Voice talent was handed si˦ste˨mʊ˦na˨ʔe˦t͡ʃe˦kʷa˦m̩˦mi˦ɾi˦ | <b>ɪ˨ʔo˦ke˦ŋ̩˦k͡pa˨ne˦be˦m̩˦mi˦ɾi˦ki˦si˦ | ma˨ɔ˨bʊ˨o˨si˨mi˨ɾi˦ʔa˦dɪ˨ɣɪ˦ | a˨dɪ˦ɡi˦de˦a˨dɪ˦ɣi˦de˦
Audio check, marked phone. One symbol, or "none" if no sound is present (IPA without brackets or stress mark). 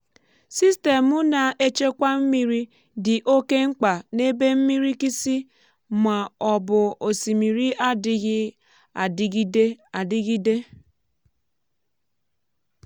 d